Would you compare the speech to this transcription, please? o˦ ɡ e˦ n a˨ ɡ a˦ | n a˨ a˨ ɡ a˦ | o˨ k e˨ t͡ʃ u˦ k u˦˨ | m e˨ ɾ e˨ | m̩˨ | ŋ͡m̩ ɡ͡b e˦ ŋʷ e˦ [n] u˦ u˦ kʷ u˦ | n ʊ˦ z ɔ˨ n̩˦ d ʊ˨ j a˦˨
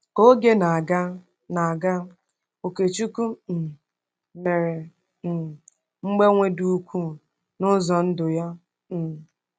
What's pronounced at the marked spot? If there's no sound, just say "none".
d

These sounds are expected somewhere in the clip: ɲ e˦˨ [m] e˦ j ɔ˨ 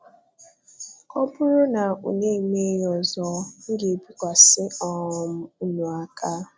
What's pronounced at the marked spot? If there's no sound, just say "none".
m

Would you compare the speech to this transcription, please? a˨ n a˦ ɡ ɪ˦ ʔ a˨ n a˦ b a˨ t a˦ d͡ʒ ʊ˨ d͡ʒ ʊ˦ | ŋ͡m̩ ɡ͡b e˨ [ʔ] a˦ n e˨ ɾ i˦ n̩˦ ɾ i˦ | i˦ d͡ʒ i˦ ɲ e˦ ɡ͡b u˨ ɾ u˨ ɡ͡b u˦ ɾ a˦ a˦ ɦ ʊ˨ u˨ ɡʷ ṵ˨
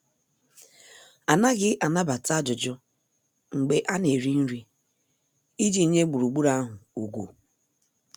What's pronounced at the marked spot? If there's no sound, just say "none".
ʔ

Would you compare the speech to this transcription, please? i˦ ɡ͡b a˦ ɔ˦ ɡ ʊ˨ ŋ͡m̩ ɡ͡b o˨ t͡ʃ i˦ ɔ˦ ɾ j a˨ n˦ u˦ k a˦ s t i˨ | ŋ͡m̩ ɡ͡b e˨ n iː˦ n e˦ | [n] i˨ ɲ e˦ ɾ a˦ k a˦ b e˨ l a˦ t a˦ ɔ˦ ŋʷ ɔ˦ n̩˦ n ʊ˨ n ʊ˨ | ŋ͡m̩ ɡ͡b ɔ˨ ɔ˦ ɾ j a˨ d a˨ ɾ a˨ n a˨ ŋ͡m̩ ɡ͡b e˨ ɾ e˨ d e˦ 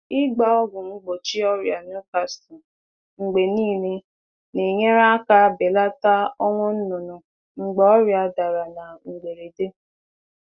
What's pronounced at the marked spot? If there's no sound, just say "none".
n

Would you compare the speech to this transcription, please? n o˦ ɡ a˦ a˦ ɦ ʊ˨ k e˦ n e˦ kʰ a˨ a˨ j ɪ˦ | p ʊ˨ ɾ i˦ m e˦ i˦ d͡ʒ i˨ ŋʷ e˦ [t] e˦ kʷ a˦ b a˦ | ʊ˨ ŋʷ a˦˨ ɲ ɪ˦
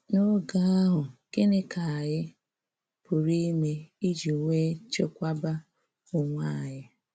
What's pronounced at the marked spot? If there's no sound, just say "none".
t͡ʃ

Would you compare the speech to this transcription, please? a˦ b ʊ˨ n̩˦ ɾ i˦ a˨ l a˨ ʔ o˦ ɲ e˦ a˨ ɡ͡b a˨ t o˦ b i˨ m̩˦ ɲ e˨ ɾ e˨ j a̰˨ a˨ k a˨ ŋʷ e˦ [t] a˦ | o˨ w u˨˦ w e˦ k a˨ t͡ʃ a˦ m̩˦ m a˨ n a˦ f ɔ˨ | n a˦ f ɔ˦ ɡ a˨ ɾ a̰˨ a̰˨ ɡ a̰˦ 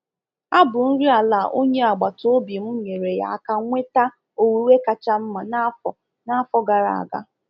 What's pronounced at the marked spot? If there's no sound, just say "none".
t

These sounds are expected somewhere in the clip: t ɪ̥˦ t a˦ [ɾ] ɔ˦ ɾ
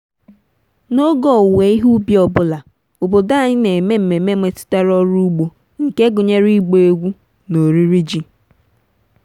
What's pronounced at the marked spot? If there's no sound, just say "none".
ɾ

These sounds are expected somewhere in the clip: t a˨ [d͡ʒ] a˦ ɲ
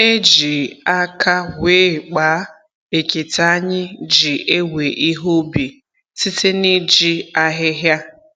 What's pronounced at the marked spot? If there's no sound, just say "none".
none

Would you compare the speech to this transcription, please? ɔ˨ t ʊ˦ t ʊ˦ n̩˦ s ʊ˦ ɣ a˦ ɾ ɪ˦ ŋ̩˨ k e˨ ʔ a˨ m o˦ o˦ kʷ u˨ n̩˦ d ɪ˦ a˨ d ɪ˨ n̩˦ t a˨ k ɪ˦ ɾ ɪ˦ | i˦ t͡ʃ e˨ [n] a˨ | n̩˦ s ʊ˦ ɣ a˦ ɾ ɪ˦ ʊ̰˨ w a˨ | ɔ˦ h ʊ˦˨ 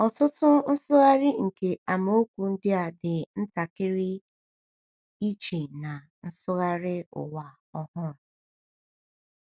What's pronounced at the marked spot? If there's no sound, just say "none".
n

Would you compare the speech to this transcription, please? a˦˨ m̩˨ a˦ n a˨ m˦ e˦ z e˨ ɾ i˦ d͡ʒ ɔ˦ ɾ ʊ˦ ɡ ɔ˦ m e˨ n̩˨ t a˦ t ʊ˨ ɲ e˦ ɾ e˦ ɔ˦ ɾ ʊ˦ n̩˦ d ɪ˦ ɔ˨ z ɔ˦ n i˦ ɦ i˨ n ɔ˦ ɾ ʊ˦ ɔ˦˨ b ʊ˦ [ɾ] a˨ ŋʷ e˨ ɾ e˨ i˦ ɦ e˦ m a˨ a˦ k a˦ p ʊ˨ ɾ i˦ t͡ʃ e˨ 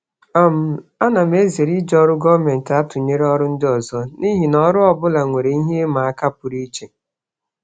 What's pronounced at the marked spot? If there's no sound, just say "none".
l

